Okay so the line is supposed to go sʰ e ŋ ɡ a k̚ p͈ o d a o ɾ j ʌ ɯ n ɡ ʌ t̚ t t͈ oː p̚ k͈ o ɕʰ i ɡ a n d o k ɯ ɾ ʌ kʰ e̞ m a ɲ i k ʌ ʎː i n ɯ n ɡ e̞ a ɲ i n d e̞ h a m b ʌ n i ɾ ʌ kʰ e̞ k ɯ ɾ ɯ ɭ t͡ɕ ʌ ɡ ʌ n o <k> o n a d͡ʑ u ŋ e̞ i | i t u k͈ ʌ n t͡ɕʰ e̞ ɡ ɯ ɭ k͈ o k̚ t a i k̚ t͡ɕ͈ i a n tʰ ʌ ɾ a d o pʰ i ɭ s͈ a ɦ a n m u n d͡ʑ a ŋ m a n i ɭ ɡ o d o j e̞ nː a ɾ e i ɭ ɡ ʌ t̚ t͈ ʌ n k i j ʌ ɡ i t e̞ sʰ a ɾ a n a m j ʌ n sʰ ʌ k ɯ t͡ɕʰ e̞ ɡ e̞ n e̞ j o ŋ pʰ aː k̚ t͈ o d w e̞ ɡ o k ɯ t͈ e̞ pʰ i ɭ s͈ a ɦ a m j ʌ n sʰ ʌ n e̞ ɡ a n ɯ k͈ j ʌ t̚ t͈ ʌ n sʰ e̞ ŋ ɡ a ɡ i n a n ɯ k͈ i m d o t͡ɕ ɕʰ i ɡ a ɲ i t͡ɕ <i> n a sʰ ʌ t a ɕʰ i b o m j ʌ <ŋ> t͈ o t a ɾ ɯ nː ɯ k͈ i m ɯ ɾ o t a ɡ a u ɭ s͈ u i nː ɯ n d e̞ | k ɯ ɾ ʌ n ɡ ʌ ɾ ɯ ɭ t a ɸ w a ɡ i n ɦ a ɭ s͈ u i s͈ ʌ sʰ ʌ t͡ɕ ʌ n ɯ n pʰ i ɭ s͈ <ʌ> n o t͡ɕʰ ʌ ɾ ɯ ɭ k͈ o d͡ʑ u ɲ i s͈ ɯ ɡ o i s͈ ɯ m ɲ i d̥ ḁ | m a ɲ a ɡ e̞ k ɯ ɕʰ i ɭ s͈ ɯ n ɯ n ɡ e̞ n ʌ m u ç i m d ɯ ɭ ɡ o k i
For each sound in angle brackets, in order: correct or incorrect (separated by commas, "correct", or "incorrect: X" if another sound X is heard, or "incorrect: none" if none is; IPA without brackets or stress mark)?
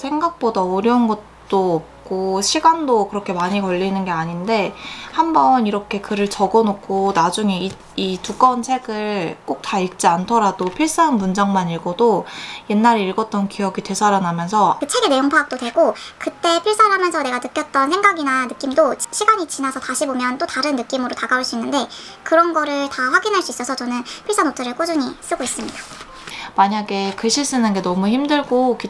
incorrect: kʰ, correct, incorrect: n, incorrect: a